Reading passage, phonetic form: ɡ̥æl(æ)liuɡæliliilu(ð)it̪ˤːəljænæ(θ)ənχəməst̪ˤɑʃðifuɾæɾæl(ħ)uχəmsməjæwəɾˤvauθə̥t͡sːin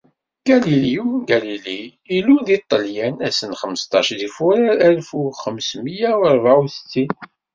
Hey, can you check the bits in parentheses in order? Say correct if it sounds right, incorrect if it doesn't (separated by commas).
incorrect, correct, incorrect, incorrect